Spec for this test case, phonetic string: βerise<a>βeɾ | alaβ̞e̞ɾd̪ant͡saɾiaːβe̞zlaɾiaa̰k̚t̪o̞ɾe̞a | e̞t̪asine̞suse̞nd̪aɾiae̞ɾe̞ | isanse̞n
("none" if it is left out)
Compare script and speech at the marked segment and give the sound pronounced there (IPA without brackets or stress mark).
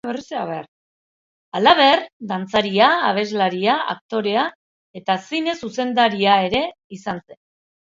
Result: a